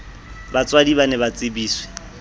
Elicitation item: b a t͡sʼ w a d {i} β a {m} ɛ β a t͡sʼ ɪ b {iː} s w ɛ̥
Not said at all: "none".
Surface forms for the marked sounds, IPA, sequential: i, n, iː

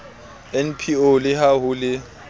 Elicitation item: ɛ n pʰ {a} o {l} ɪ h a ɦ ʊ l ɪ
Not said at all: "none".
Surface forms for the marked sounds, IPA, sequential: i, l

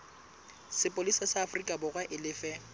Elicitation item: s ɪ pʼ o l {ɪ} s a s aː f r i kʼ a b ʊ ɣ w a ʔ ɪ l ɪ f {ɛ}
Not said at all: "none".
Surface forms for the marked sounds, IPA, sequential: i, ɛ

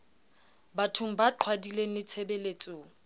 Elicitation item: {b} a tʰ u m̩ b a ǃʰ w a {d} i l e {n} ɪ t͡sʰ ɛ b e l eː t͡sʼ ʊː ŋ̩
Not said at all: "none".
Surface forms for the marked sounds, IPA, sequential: b, d, n

